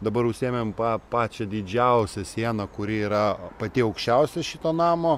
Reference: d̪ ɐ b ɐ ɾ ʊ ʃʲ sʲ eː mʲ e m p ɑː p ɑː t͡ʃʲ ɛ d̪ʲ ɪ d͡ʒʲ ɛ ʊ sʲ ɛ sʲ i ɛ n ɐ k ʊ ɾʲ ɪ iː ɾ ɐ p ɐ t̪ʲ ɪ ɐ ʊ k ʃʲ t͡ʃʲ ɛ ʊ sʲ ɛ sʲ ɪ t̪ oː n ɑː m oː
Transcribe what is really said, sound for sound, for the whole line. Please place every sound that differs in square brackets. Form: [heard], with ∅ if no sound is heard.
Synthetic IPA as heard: d̪ ɐ b ɐ ɾ ʊ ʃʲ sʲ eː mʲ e m p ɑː p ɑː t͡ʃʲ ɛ d̪ʲ ɪ d͡ʒʲ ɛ ʊ sʲ ɛ sʲ i ɛ n ɐ k ʊ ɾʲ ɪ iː ɾ ɐ p ɐ t̪ʲ ɪ ɐ ʊ k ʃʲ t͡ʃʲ ɛ ʊ sʲ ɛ [ʃʲ] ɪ t̪ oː n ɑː m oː